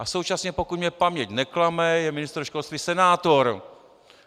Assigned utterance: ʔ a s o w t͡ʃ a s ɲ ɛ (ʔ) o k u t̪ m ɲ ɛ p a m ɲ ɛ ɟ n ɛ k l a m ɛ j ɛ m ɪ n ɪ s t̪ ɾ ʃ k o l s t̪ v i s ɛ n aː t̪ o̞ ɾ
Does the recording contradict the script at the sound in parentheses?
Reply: yes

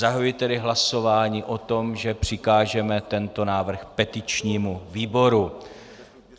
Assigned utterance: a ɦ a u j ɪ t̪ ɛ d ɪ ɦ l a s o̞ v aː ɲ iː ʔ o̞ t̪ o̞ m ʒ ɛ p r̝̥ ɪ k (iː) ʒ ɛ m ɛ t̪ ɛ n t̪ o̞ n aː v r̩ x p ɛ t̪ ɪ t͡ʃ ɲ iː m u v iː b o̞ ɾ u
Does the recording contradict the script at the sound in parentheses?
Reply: yes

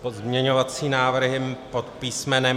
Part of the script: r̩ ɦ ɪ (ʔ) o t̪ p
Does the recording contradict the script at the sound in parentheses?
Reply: yes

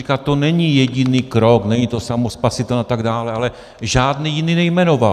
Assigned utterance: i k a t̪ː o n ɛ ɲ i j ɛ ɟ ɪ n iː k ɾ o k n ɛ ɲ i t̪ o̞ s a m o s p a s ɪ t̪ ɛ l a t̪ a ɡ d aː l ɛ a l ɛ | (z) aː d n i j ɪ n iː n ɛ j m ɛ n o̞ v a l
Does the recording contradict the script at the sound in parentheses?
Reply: yes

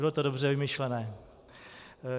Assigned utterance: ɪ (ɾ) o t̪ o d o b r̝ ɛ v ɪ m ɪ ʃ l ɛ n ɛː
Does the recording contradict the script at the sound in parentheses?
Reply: yes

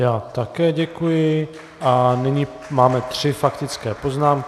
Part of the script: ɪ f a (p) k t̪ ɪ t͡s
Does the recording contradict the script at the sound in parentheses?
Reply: yes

